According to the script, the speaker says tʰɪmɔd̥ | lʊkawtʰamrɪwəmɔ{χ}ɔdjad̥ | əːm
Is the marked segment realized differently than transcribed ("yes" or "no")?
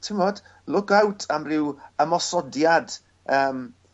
yes